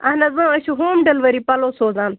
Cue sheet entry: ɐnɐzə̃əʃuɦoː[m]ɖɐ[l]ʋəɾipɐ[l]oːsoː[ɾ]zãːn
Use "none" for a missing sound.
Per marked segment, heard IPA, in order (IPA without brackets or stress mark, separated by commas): m, l, l, none